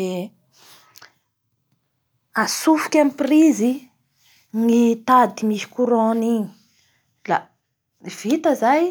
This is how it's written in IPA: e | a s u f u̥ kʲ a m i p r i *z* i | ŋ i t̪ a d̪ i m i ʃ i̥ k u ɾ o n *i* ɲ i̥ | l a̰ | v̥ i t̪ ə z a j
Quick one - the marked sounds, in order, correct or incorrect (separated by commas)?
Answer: correct, correct